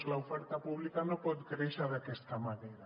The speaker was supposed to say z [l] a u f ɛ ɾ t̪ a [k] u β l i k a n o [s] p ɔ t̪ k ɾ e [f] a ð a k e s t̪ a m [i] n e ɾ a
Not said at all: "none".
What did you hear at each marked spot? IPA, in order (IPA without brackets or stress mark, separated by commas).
l, p, none, ʃ, a